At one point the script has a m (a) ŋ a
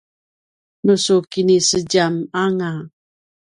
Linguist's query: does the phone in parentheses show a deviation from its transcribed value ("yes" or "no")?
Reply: no